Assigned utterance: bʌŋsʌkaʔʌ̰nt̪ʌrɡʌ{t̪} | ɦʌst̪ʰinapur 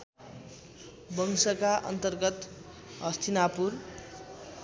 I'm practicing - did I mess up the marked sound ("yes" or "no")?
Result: no